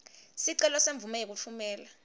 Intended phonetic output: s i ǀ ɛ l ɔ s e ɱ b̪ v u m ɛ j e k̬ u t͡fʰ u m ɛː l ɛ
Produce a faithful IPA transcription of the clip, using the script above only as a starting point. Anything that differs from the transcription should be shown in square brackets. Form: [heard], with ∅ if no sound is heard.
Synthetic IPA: s i ǀ ɛ l ɔ s e ɱ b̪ v u m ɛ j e k̬ u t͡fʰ u m ɛː l [a]